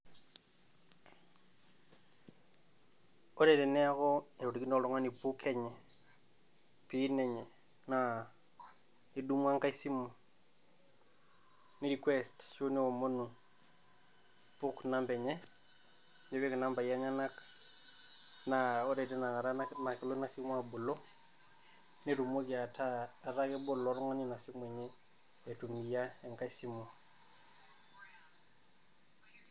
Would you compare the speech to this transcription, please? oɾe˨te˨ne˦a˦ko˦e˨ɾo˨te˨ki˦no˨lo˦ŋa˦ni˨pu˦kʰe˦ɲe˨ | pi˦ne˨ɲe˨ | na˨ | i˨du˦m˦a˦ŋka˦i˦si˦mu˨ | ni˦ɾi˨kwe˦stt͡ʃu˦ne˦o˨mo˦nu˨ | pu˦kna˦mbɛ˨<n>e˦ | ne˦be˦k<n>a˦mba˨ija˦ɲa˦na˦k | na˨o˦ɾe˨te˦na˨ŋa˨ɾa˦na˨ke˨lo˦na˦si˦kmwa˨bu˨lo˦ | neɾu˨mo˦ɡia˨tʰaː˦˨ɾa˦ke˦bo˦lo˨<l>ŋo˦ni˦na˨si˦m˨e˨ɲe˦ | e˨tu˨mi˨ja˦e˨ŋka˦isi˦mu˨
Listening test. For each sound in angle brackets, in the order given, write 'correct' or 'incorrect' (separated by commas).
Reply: incorrect, correct, incorrect